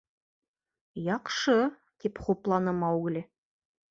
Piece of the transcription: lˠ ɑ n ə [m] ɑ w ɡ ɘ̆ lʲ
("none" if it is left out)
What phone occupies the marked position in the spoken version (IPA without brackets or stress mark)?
m